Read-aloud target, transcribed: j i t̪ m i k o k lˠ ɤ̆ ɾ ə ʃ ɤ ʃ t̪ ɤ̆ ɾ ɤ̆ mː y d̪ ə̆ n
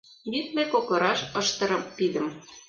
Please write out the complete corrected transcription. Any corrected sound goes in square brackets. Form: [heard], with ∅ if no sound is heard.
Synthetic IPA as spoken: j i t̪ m [e] k o k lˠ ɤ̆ ɾ [ɑ] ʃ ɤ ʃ t̪ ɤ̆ ɾ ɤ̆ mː [i] d̪ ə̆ [m]

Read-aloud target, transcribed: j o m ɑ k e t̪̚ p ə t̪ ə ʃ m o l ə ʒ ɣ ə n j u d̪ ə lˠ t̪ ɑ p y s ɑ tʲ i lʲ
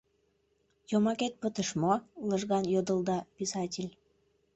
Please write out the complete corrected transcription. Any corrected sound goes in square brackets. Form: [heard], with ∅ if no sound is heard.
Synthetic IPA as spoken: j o m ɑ k e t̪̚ p ə t̪ ə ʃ m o l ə ʒ ɣ [ɑ] n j [o] d̪ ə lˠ [d̪] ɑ p [i] s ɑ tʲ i lʲ

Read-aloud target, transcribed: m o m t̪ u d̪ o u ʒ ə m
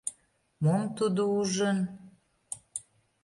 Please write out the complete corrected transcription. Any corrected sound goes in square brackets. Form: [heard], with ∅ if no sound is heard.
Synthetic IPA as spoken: m o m t̪ u d̪ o u ʒ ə [n]

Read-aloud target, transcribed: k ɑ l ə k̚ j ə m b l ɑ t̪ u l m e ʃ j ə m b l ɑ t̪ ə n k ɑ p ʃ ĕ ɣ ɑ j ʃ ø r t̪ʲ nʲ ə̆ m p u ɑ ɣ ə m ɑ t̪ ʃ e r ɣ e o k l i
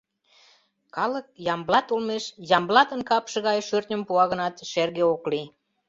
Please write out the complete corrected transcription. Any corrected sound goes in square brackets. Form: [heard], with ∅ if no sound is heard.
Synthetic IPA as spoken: k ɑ l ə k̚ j [ɑ] m b l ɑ t̪ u l m e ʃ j [ɑ] m b l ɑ t̪ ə n k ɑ p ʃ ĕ ɣ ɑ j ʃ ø r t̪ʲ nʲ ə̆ m p u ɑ ɣ ə [n] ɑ t̪ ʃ e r ɣ e o k l i

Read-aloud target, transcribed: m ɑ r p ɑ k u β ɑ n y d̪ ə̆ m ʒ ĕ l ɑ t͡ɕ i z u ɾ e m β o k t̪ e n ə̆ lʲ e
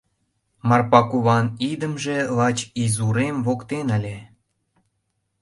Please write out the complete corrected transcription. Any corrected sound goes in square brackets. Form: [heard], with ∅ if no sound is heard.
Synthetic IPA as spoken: m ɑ r p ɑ k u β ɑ n [i] d̪ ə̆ m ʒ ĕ l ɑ t͡ɕ i z u ɾ e m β o k t̪ e n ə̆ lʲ e

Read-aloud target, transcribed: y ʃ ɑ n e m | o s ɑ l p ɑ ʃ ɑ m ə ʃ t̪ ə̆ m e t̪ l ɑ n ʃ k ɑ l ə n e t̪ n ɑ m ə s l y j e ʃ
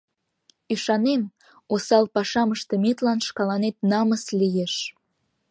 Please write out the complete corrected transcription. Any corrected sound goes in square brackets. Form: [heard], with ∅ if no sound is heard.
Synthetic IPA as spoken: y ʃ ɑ n e m | o s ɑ l p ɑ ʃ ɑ m ə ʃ t̪ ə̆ m e t̪ l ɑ n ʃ k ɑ l [ɑ] n e t̪ n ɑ m ə s l [i] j e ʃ

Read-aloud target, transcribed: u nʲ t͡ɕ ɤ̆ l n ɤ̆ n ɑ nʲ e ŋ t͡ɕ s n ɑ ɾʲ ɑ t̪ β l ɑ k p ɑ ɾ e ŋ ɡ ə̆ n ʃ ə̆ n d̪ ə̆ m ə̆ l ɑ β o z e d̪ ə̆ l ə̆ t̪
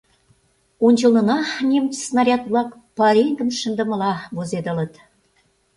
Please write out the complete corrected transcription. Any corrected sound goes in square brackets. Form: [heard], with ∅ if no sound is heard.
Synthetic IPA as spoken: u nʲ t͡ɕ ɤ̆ l n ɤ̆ n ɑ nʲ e [m] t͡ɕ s n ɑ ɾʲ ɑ t̪ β l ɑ k p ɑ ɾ e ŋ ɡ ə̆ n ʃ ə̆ n d̪ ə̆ m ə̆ l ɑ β o z e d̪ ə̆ l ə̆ t̪

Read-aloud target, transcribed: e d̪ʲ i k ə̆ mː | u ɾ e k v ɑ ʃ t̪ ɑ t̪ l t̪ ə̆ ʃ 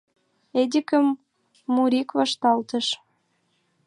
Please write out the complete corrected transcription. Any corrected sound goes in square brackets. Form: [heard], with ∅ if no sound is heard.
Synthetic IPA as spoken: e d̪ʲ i k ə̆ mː | u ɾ [i] k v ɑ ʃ t̪ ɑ [∅] l t̪ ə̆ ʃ

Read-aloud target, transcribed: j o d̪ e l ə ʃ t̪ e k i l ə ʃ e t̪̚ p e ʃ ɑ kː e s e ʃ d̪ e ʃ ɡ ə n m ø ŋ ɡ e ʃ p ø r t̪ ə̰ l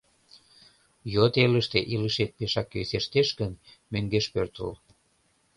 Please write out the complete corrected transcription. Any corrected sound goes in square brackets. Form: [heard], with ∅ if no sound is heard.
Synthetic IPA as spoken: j o [t̪] e l ə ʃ t̪ e [ʔ] i l ə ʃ e t̪̚ p e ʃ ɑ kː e s e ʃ [t̪] e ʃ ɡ ə n m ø ŋ ɡ e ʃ p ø r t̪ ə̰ l

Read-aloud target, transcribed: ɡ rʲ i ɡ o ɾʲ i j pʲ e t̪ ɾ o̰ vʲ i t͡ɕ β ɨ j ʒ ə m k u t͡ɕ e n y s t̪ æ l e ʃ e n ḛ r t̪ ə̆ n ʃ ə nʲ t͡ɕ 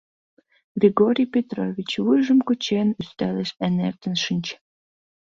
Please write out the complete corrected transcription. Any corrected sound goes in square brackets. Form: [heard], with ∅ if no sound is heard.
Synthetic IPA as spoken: ɡ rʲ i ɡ o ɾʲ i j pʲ e t̪ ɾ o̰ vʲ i t͡ɕ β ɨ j ʒ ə m k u t͡ɕ e n y s t̪ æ l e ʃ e n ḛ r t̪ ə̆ n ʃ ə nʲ t͡ɕ

